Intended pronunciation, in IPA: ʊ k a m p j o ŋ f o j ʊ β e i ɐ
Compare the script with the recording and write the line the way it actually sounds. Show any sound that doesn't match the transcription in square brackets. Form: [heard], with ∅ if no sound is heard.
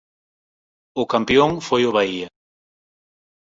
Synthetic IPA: ʊ k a m p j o ŋ f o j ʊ β [a] i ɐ